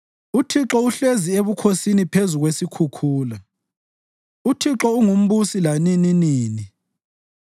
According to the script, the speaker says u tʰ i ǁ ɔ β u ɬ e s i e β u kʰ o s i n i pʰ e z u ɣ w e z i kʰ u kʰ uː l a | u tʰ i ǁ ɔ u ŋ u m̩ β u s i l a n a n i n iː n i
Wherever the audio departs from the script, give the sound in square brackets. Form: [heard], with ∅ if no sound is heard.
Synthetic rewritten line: u tʰ i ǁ ɔ [∅] u ɬ e [z] i e β u kʰ o s i n i pʰ e z u ɣ w e [s] i kʰ u kʰ uː l a | u tʰ i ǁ ɔ u ŋ u m̩ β u s i l a n [i] n i n iː n i